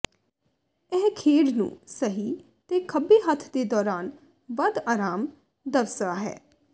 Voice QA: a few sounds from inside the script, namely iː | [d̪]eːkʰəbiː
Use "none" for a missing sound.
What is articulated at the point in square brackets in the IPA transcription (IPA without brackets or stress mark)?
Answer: t̪